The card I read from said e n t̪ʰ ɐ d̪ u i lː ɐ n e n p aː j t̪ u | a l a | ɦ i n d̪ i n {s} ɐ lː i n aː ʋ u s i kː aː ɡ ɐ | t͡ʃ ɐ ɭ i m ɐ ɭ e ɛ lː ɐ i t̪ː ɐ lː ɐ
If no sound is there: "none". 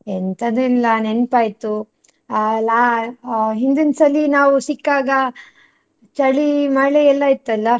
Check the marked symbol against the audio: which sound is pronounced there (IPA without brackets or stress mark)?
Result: s